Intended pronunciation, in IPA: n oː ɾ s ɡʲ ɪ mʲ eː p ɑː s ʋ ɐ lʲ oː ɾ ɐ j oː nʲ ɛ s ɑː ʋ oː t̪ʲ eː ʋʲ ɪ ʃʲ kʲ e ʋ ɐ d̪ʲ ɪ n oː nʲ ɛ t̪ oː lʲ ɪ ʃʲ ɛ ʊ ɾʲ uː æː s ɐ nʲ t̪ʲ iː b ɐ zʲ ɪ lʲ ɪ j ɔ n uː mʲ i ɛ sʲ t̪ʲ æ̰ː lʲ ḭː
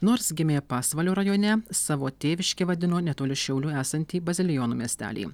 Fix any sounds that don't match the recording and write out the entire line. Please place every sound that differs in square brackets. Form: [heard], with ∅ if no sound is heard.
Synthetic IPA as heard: n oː ɾ s ɡʲ ɪ mʲ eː p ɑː s ʋ ɐ lʲ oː ɾ ɐ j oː nʲ ɛ s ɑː ʋ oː t̪ʲ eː ʋʲ ɪ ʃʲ kʲ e ʋ ɐ d̪ʲ ɪ n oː nʲ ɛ t̪ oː lʲ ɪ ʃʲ ɛ ʊ [lʲ] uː æː s ɐ nʲ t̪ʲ iː b ɐ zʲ ɪ lʲ ɪ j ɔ n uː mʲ i ɛ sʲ t̪ʲ æ̰ː lʲ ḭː